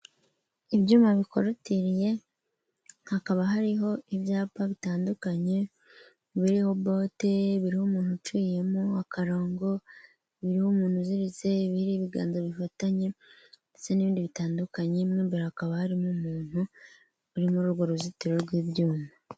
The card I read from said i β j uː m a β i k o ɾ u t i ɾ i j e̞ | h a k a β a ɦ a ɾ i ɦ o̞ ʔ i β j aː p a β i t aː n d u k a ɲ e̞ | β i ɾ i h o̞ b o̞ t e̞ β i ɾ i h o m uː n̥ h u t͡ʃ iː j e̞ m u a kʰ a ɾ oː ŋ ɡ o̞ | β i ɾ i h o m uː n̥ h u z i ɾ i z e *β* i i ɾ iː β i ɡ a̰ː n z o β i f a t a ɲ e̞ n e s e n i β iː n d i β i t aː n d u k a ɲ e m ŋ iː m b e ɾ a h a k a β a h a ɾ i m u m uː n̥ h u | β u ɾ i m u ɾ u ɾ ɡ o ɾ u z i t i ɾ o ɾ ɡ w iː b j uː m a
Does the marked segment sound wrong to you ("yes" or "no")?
no